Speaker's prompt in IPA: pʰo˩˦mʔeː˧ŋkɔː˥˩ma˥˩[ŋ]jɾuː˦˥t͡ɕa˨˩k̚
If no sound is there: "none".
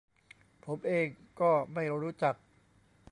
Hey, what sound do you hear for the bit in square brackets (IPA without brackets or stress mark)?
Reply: none